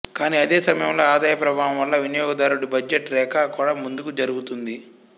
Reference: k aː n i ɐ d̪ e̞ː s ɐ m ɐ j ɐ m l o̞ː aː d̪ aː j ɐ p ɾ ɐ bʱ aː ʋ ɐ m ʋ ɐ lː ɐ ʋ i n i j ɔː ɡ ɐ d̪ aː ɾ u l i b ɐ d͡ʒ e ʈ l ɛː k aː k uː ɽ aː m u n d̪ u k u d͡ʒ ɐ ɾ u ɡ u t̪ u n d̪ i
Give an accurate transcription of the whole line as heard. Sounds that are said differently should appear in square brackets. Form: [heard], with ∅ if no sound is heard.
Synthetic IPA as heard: k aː n i ɐ d̪ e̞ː s ɐ m ɐ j ɐ m l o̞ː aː d̪ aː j ɐ p ɾ ɐ bʱ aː ʋ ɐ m ʋ ɐ lː ɐ ʋ i n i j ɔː ɡ ɐ d̪ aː ɾ u [ɽ] i b ɐ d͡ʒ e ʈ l ɛː k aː k uː ɽ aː m u n d̪ u k u d͡ʒ ɐ ɾ u ɡ u t̪ u n d̪ i